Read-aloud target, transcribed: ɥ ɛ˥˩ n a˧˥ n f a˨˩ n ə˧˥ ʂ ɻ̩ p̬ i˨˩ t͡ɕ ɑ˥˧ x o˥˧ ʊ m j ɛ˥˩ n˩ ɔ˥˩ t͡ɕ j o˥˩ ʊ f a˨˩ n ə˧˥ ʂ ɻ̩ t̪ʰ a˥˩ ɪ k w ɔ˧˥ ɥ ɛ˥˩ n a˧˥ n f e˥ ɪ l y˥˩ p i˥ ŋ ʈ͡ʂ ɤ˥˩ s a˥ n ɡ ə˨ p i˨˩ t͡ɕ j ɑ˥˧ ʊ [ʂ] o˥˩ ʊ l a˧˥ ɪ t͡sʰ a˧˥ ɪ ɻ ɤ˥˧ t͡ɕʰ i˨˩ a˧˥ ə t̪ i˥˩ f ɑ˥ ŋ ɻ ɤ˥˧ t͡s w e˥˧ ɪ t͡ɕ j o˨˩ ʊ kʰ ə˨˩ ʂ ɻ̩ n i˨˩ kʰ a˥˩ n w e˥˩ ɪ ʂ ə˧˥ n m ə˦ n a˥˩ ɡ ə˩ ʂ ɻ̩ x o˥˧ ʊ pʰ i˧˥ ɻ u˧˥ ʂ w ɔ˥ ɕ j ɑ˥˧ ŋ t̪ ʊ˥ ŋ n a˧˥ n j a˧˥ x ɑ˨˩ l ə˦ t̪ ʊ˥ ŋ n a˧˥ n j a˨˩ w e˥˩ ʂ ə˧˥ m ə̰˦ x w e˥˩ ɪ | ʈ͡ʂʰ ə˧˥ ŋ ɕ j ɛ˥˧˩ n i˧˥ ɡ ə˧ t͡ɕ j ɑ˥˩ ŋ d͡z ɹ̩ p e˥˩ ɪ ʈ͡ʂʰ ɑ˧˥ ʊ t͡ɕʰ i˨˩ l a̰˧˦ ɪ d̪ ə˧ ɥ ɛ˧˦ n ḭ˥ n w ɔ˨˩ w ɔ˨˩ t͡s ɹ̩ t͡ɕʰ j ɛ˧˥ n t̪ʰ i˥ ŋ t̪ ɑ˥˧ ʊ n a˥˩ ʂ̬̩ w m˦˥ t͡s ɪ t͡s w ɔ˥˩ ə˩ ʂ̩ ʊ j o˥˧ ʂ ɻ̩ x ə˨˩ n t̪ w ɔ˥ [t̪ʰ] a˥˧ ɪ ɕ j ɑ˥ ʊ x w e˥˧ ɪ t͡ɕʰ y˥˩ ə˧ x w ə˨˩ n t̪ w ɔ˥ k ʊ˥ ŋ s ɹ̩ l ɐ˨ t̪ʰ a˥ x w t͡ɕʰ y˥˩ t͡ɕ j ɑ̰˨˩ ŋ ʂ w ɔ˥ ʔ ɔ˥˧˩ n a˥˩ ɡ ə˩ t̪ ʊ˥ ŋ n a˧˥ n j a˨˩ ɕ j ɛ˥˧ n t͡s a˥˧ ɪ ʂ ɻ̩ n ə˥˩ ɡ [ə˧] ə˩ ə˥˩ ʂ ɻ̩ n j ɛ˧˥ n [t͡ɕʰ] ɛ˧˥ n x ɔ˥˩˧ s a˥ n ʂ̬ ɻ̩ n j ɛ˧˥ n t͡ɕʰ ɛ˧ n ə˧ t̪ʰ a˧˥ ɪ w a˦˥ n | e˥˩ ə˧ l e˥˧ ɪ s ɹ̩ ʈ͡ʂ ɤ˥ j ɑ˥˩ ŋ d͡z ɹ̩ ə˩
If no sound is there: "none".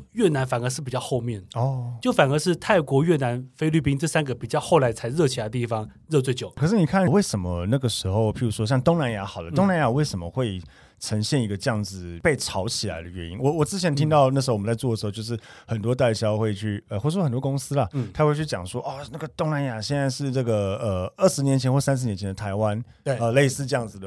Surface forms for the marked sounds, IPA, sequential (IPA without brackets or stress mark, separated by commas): x, t̪, ə˩, t͡ɕʰ